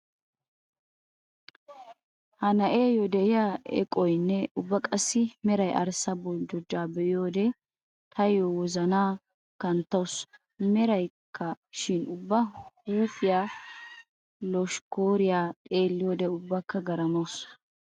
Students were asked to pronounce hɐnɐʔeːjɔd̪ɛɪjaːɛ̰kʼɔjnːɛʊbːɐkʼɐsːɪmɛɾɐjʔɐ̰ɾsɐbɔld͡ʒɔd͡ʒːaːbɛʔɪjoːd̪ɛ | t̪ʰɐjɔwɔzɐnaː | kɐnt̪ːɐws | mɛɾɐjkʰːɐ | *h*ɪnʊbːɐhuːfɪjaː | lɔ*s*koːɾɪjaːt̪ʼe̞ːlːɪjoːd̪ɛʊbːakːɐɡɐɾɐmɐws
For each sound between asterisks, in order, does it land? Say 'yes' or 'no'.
no, no

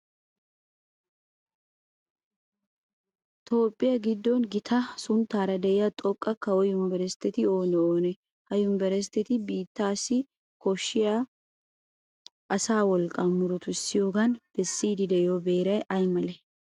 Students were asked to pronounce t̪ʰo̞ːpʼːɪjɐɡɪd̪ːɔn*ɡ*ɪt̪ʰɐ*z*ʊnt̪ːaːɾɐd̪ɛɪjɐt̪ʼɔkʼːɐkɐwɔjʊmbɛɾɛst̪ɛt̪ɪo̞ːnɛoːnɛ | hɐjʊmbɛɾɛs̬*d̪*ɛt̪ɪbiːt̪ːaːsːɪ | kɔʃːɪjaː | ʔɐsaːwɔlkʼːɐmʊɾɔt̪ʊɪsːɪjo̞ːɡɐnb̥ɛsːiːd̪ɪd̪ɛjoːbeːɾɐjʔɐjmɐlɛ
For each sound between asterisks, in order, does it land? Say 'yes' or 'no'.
yes, no, no

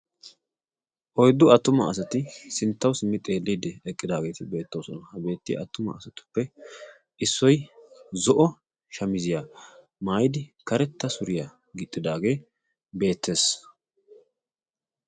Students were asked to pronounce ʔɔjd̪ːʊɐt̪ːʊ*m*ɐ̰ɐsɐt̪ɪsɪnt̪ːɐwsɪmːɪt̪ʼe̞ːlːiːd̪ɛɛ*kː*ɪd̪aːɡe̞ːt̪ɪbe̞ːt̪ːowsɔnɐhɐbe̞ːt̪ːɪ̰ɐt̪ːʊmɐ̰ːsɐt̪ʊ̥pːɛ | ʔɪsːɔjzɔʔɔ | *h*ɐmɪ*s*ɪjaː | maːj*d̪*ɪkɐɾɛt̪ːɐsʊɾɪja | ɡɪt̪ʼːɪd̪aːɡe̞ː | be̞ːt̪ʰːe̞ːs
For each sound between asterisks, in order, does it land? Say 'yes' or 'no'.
yes, no, no, no, yes

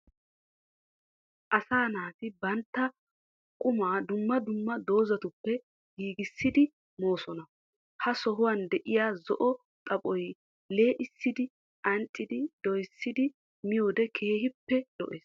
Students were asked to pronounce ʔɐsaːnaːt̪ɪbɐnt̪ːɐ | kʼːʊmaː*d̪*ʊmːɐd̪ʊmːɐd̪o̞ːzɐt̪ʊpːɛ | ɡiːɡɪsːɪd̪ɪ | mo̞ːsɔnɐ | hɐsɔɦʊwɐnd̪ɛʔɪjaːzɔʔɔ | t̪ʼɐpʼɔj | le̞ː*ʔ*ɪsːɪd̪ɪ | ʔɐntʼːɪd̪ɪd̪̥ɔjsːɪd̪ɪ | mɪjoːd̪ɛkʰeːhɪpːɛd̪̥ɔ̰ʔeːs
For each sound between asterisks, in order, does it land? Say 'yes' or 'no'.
yes, yes

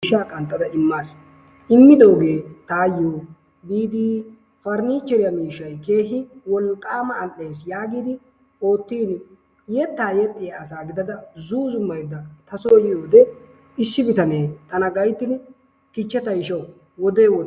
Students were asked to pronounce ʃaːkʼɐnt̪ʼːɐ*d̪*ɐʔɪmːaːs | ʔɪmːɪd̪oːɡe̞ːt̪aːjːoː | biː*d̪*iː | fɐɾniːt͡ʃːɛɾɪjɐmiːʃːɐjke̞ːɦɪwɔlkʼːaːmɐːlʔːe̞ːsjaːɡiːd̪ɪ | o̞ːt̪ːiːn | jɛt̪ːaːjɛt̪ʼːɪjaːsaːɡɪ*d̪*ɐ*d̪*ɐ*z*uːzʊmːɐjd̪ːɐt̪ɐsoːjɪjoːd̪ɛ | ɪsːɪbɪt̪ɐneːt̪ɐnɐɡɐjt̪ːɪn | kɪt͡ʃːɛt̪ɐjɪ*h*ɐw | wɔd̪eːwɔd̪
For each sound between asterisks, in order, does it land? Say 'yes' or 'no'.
yes, yes, yes, yes, yes, no

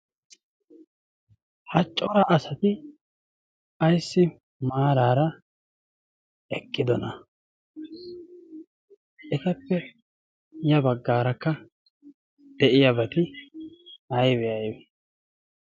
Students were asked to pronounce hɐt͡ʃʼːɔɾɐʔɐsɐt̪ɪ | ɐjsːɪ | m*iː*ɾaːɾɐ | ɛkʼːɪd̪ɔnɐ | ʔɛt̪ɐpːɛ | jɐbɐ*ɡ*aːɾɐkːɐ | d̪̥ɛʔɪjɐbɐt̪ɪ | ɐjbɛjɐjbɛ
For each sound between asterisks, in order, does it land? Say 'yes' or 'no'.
no, no

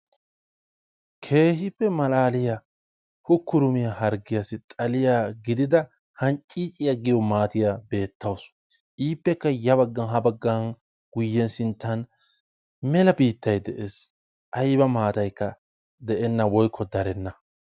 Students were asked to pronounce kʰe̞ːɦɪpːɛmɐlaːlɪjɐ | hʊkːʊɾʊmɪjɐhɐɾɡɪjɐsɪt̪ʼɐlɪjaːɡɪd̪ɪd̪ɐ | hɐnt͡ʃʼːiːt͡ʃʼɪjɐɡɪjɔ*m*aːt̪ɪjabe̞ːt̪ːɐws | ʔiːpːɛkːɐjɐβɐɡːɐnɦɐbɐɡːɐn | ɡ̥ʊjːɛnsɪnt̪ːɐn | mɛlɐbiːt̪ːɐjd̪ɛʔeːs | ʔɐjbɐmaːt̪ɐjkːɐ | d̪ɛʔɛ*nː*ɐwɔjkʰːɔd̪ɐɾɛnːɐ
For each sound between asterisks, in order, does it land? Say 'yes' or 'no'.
yes, yes

